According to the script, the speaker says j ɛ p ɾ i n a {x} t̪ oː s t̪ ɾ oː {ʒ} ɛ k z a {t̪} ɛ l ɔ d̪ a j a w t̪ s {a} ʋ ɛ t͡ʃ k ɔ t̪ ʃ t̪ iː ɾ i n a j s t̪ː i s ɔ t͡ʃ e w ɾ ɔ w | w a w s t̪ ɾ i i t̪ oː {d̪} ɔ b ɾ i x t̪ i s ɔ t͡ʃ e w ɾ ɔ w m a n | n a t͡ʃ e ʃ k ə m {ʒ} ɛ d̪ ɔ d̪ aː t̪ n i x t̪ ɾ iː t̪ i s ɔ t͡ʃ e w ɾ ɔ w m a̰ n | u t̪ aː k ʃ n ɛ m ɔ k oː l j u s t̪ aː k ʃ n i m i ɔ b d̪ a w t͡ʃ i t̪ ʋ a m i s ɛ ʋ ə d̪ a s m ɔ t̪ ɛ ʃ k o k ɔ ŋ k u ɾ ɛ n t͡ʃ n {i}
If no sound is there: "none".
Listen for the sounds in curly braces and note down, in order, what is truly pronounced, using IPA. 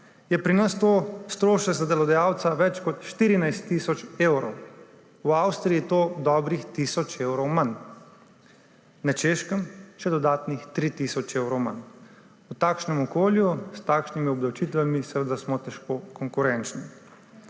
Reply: s, ʃ, d̪, a, d̪, ʃ, i

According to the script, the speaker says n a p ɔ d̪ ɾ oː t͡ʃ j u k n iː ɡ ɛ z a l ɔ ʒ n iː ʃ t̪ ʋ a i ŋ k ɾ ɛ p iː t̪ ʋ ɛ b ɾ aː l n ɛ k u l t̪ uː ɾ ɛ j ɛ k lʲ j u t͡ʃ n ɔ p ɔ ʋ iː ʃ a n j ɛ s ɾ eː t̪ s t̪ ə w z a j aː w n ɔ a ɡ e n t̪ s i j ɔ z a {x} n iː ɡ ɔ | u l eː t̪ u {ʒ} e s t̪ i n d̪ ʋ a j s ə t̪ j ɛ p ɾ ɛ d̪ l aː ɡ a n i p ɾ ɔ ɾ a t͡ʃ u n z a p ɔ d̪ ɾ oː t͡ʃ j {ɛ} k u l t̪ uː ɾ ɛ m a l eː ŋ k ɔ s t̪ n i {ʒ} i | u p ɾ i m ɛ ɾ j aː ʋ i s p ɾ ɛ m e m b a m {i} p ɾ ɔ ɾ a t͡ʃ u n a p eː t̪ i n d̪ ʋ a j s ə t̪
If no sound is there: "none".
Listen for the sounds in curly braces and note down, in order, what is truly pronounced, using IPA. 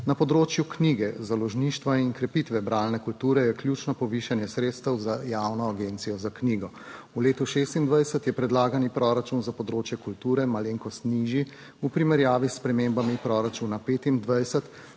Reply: k, ʃ, ɛ, ʒ, i

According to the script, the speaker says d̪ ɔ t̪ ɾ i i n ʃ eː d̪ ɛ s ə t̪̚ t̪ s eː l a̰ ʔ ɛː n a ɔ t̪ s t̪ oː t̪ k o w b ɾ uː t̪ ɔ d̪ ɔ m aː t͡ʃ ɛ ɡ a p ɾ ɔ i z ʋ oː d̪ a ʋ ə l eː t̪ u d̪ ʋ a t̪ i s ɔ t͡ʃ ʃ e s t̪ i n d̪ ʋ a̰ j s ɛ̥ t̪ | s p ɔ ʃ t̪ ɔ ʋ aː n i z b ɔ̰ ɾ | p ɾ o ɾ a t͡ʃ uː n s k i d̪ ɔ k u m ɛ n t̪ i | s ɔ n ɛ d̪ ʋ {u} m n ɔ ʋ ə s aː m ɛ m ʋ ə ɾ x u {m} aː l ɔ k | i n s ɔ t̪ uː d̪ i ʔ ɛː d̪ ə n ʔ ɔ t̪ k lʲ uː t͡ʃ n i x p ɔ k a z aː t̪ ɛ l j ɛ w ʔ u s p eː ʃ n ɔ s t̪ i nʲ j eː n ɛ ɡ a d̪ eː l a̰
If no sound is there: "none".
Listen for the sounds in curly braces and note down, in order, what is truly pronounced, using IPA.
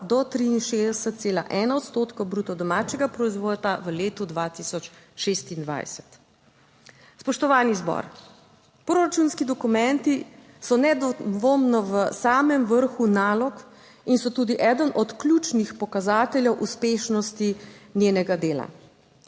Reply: o, n

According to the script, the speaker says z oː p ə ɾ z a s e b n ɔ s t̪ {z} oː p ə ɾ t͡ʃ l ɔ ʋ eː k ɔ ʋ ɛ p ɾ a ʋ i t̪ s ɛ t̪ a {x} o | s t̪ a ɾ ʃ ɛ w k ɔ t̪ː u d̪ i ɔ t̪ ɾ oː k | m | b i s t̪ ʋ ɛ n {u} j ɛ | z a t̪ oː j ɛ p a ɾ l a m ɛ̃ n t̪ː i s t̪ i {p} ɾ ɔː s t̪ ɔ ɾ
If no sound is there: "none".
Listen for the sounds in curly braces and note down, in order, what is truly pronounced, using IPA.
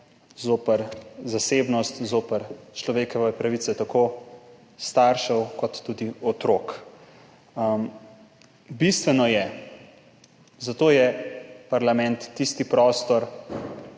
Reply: z, k, ɔ, p

